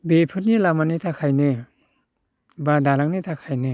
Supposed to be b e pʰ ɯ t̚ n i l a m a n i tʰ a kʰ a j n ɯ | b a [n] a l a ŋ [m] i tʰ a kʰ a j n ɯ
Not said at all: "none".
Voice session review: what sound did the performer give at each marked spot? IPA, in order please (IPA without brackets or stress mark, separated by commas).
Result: d, n